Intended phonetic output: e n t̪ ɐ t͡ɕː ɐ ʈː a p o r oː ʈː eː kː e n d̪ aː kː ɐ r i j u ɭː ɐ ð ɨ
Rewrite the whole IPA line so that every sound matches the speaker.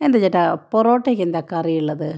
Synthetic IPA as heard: e n d̪ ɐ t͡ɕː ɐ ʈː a p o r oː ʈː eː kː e n d̪ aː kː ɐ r i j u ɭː ɐ ð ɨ